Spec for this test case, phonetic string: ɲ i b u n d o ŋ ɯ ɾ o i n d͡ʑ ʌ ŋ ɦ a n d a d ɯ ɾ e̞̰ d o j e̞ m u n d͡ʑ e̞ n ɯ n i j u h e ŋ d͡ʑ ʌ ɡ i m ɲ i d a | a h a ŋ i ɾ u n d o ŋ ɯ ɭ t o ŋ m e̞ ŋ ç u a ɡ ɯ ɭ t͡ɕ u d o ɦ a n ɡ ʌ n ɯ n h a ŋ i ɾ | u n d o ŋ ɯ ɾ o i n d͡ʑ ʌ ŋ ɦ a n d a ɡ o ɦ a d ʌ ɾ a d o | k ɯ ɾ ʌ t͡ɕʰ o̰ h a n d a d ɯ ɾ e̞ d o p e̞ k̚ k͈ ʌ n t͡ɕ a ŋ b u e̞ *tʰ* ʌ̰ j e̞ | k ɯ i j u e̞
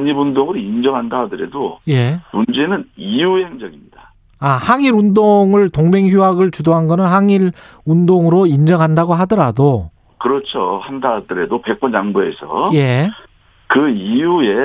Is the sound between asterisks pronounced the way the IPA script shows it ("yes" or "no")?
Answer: no